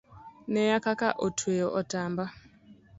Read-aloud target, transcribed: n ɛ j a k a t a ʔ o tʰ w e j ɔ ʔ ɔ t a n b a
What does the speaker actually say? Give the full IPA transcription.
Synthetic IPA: n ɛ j a k a k a ʔ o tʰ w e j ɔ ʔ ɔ t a m b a